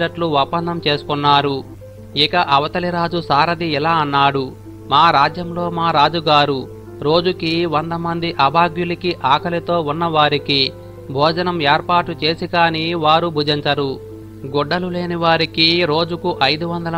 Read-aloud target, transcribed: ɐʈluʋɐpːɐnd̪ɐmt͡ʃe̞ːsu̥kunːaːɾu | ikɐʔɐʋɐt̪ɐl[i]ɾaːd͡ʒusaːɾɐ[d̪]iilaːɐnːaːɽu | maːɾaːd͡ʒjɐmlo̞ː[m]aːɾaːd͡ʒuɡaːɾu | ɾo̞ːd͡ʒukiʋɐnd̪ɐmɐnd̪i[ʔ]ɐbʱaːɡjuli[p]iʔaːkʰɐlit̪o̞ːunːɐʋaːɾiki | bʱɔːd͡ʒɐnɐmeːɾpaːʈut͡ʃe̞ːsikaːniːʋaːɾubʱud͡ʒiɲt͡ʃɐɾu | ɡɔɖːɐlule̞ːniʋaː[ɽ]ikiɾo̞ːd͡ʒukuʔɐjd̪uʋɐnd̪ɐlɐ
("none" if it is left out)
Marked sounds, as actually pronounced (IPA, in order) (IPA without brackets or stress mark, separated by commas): i, d̪, m, ʔ, k, ɾ